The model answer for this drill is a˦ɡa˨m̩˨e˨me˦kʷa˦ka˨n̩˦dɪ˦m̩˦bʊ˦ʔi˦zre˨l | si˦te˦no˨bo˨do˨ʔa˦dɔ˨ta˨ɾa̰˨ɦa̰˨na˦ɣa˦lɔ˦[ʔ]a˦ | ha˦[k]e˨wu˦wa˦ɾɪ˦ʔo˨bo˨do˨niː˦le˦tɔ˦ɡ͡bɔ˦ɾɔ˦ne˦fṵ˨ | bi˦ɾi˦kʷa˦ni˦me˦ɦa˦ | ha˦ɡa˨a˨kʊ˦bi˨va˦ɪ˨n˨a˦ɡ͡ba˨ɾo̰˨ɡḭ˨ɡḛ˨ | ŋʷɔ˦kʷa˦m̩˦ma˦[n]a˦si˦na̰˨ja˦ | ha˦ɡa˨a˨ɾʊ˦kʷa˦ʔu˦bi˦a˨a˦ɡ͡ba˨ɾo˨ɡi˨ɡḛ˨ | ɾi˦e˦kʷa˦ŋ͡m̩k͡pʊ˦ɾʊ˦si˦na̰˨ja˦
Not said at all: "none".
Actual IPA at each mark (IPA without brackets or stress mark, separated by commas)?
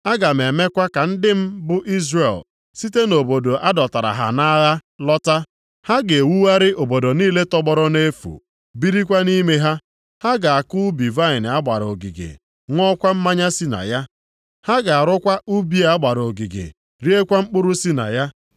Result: t, ɡ, ɲ